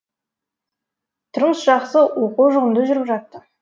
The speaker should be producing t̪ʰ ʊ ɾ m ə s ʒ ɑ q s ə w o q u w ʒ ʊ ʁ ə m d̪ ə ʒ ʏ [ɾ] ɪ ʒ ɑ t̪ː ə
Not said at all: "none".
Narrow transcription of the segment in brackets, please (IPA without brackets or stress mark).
ɾ